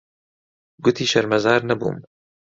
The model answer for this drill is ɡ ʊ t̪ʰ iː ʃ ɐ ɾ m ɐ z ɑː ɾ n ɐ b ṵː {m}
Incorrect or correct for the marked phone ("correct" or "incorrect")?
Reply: correct